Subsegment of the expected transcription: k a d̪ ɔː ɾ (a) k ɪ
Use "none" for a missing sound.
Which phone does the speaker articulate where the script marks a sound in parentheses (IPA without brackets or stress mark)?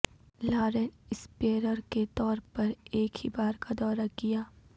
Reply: a